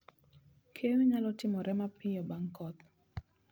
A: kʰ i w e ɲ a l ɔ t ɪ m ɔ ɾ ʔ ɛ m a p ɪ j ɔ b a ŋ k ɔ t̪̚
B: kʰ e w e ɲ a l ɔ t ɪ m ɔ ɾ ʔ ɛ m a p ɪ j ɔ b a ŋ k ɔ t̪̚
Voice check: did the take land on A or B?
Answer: B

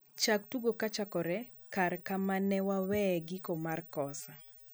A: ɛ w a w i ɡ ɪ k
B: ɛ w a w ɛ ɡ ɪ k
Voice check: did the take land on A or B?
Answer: B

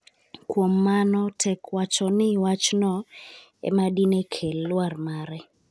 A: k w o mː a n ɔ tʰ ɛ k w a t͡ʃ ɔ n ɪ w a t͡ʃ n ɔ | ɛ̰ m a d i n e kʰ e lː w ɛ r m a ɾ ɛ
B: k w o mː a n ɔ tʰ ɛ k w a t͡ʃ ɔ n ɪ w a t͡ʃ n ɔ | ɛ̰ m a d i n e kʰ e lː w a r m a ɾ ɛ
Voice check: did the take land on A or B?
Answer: B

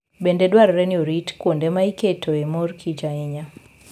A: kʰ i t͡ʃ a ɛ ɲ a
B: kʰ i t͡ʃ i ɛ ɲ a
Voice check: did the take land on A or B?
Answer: A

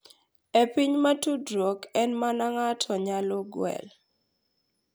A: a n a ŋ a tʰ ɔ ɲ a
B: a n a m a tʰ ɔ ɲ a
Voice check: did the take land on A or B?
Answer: A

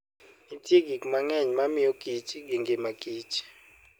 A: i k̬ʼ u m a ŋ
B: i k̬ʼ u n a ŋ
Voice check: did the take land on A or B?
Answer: A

